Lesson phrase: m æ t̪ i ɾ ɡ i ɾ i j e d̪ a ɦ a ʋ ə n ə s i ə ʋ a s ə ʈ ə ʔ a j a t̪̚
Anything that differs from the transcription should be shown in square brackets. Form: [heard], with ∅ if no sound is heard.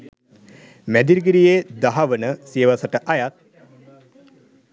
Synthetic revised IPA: m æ [d̪] i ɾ ɡ i ɾ i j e d̪ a ɦ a ʋ ə n ə s i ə ʋ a s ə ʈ ə ʔ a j a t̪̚